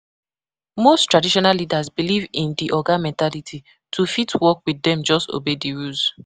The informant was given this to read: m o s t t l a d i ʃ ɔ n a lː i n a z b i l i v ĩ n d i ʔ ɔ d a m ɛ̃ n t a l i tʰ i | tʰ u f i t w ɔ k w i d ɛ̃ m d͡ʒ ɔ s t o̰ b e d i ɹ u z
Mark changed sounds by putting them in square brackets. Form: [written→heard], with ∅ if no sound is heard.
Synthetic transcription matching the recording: m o s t t [l→ɹ] a d i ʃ ɔ n a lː i [n→d] a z b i l i v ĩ n d i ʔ ɔ [d→ɡ] a m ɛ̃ n t a l i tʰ i | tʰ u f i t w ɔ k w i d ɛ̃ m d͡ʒ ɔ s t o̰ b e d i ɹ u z